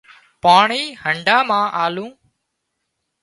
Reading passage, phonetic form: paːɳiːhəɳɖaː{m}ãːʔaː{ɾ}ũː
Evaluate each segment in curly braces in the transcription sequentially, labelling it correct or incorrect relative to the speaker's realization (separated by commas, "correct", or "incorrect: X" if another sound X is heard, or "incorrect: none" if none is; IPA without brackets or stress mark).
correct, incorrect: l